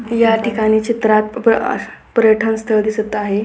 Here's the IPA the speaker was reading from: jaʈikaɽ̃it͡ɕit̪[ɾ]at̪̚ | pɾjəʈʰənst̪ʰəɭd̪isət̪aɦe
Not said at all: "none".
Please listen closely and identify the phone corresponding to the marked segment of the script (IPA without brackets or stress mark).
ɾ